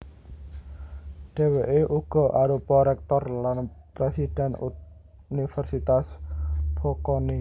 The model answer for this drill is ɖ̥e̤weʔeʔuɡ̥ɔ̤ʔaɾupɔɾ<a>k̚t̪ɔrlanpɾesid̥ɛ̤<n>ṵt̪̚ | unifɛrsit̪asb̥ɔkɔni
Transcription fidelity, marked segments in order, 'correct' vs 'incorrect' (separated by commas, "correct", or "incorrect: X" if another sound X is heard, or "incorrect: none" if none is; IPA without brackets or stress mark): incorrect: ɛ, correct